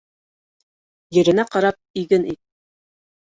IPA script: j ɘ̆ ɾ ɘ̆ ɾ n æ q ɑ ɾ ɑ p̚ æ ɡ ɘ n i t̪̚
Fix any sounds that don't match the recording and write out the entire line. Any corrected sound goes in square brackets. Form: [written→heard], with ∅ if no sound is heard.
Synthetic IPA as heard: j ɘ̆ ɾ ɘ̆ [ɾ→∅] n æ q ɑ ɾ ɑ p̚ [æ→i] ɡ ɘ n i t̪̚